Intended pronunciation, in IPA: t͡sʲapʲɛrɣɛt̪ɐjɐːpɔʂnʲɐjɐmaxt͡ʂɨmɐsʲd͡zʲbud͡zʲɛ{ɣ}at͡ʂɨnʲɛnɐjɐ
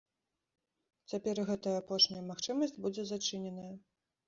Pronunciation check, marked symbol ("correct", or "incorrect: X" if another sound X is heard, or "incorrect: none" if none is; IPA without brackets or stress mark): incorrect: z